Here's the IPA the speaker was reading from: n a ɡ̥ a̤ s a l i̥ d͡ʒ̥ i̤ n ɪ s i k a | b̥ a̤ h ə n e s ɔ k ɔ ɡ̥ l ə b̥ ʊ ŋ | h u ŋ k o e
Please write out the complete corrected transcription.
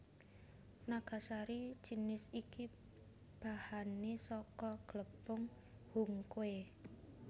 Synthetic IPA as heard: n a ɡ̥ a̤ s a ɾ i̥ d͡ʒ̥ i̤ n ɪ s i k i | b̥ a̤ h a n e s ɔ k ɔ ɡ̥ l ə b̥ ʊ ŋ | h u ŋ k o e